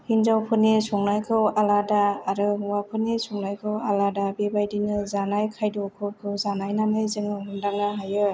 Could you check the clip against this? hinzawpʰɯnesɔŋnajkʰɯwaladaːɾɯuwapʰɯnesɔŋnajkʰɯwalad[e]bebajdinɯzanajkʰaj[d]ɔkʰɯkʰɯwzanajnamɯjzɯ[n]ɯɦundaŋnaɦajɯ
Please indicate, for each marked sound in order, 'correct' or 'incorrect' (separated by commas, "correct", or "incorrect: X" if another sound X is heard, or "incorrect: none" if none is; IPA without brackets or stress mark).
incorrect: a, correct, incorrect: ŋ